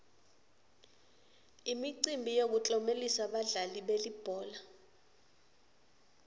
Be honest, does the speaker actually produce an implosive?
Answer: yes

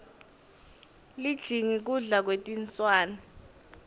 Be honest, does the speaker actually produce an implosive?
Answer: no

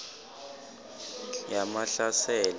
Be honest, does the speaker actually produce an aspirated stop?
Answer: no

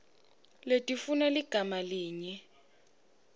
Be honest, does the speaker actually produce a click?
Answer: no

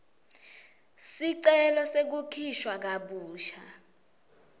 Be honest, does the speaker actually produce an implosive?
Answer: yes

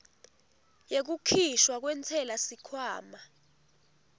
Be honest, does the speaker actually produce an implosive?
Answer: no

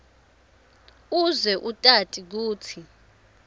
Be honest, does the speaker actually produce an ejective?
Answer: yes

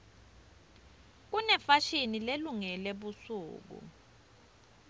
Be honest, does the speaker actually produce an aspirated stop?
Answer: no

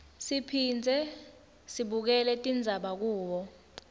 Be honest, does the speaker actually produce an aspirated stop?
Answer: yes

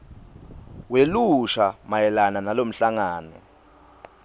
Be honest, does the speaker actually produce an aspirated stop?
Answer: no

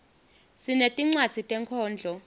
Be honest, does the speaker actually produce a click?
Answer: yes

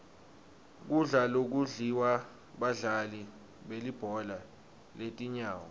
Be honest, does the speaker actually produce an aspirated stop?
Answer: no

